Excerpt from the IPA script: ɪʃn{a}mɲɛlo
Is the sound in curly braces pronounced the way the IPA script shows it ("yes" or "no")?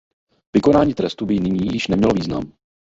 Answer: no